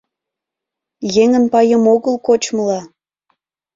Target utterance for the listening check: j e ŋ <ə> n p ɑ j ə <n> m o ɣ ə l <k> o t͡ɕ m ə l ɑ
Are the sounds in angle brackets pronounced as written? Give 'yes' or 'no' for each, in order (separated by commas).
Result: yes, no, yes